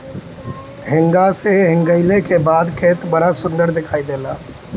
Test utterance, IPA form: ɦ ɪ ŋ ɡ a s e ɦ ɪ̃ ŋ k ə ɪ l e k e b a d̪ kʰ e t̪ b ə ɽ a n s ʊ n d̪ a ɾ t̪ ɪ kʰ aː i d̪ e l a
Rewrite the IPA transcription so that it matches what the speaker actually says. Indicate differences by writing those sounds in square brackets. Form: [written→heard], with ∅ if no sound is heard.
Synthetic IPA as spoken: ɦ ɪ ŋ ɡ a s e ɦ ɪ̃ ŋ [k→ɡ] ə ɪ l e k e b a d̪ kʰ e t̪ b ə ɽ a [n→∅] s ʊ n d̪ [a→ə] ɾ [t̪→d̪] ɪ kʰ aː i d̪ e l a